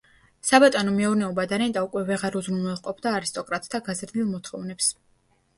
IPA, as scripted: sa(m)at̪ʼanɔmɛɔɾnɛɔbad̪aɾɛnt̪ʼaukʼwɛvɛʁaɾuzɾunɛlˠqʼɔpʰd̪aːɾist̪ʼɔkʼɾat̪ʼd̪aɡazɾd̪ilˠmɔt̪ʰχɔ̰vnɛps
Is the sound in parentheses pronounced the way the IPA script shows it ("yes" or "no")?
no